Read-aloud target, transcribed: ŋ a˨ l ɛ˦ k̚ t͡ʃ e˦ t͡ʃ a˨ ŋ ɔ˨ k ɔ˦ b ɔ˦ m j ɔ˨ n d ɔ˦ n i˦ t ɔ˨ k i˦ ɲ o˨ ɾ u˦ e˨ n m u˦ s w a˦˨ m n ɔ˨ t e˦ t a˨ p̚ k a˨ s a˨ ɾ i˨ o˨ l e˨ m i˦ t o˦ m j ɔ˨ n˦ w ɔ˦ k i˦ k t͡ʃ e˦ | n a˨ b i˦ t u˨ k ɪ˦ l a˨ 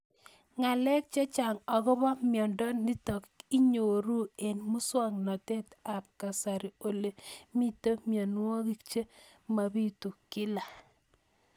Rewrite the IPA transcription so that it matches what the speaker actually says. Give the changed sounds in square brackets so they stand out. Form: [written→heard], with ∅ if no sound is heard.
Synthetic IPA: ŋ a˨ l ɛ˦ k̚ t͡ʃ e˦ t͡ʃ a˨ ŋ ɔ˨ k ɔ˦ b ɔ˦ m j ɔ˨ n d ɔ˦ n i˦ t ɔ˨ k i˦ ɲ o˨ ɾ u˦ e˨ n m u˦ s w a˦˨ [m→ŋ] n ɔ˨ t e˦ t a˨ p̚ k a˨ s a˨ ɾ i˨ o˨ l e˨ m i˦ t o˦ m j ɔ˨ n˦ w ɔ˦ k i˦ k t͡ʃ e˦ | [n→m] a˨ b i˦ t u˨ k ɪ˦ l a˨